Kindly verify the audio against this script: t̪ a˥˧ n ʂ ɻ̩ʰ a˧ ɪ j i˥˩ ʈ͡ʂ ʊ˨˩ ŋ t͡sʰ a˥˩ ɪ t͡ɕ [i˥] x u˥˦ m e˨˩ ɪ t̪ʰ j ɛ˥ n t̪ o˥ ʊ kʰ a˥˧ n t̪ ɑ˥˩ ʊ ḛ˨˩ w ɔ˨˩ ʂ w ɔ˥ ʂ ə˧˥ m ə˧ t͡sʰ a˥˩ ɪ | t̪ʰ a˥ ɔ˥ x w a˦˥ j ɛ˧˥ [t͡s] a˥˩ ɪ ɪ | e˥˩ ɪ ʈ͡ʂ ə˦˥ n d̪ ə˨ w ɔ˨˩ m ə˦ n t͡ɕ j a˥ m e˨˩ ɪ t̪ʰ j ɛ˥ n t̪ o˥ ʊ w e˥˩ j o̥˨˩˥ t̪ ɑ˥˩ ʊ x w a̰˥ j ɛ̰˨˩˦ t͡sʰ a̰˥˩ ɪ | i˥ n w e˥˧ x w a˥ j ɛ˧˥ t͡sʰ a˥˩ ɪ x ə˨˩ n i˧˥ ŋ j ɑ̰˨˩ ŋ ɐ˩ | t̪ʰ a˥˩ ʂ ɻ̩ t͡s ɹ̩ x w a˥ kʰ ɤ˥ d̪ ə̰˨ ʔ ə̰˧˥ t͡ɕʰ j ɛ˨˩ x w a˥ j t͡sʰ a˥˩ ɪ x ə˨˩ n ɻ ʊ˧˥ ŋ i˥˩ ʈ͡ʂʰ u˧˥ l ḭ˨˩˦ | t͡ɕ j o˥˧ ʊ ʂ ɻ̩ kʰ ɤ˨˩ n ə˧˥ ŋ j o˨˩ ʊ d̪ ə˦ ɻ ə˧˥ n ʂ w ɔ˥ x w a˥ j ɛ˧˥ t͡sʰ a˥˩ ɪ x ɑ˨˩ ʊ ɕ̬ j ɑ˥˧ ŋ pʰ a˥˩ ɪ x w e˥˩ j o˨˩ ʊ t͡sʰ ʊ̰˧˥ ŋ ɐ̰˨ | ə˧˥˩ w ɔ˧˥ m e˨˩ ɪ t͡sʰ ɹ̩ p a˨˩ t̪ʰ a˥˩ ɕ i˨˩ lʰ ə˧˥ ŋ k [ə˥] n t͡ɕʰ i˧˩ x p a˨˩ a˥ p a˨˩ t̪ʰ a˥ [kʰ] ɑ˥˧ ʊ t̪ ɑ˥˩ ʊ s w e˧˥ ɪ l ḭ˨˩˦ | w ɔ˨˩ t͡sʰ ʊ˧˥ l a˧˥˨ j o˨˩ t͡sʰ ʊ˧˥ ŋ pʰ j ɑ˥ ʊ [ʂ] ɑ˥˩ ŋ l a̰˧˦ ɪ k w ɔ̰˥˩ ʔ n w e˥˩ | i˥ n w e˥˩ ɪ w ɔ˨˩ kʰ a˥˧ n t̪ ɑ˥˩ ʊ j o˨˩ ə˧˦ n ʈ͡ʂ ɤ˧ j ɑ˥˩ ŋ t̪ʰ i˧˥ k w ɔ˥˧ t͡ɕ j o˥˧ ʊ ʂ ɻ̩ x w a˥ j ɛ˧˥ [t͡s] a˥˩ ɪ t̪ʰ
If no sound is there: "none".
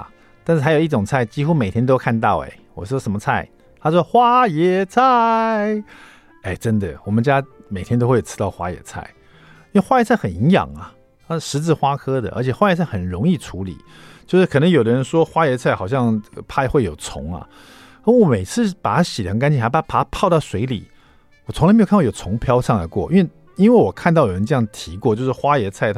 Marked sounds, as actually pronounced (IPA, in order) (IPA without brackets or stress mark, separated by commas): i˥, t͡sʰ, a˥, pʰ, ʂ, t͡sʰ